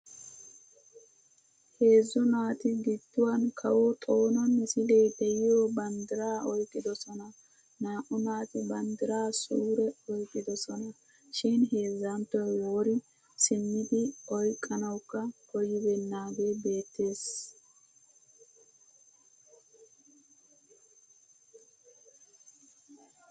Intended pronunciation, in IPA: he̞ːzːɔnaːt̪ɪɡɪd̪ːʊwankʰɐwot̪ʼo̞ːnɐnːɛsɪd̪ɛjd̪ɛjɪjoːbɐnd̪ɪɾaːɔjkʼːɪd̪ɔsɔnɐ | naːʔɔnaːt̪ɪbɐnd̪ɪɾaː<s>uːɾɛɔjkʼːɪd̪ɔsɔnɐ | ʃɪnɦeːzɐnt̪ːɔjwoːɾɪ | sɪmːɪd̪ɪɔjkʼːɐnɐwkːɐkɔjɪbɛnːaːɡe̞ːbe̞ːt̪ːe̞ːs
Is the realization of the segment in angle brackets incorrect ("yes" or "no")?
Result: no